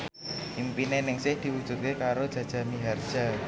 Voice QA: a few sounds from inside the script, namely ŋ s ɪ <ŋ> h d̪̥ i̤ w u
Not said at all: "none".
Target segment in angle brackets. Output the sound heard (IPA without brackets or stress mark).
none